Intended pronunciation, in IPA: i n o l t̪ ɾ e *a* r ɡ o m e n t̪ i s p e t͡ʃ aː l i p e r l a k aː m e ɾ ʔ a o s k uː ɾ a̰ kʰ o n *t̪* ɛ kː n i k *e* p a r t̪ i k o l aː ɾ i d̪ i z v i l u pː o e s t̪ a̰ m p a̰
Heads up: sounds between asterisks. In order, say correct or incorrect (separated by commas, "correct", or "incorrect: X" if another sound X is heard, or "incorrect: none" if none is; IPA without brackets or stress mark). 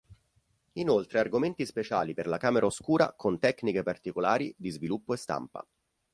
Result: correct, correct, correct